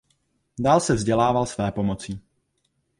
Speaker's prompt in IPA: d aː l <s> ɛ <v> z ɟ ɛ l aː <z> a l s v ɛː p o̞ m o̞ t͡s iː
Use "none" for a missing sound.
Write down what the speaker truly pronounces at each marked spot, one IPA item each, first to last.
s, v, v

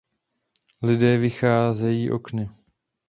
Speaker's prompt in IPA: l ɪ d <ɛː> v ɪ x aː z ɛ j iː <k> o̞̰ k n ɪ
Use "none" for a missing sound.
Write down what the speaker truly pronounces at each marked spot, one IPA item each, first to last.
ɛː, ʔ

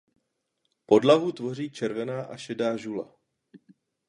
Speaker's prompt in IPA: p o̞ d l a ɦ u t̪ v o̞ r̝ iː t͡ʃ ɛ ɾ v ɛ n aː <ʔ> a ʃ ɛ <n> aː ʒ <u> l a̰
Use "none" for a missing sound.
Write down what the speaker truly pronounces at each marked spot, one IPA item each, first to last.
ʔ, d, u

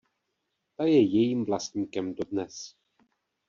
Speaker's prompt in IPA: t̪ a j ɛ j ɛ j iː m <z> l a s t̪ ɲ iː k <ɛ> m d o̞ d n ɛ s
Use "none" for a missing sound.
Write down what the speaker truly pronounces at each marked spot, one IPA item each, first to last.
v, ɛ

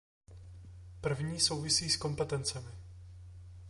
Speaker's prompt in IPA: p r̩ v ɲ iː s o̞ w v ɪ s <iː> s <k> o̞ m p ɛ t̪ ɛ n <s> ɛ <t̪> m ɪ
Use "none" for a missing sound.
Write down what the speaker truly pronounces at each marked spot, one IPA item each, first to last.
iː, k, t͡s, none

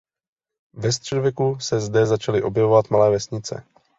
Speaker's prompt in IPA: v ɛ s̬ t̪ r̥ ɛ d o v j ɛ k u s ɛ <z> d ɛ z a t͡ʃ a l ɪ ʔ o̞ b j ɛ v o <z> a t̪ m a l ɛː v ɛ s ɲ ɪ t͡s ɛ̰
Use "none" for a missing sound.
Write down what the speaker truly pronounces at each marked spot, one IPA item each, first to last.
z, v

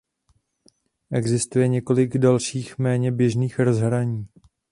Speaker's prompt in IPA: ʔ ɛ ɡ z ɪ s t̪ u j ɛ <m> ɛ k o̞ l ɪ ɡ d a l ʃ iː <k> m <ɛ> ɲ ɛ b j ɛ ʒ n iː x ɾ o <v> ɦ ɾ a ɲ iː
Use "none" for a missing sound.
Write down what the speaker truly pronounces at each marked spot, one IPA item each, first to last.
ɲ, x, ɛː, z

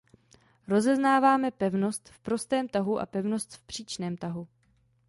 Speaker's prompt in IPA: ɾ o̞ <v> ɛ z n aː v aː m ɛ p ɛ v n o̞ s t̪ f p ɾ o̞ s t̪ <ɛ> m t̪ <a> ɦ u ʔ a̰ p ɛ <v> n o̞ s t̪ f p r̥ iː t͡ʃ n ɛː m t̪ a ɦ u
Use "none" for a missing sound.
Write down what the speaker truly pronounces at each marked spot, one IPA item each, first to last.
z, ɛː, a, v

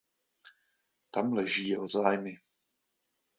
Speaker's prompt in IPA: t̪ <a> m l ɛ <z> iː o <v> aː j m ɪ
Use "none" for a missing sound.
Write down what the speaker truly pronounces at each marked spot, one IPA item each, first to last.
a, ʒ, z

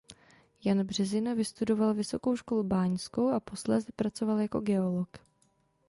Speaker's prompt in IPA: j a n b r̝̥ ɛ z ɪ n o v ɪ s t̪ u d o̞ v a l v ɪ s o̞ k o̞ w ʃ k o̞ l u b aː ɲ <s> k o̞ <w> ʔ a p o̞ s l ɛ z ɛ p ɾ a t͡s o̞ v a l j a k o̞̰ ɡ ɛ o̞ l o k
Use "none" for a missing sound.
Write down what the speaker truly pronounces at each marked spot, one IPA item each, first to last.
s, w

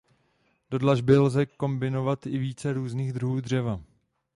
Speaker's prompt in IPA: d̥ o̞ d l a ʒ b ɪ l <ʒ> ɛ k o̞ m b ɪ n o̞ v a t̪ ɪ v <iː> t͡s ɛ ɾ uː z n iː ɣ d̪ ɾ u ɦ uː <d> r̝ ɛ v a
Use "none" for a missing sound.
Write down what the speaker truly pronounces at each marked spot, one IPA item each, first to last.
z, iː, d

